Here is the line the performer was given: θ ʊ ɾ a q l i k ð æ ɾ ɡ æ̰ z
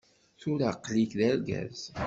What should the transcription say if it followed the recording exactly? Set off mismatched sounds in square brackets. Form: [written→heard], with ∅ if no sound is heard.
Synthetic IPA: θ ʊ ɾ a q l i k ð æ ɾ ɡ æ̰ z